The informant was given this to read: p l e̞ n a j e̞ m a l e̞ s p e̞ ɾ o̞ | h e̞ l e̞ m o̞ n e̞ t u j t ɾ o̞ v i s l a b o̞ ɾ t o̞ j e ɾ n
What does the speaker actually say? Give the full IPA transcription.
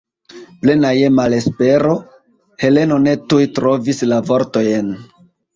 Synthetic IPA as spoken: p l e̞ n a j e̞ m a l e̞ s p e̞ ɾ o̞ | h e̞ l e̞ n o̞ n e̞ t u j t ɾ o̞ v i s l a v o̞ ɾ t o̞ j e n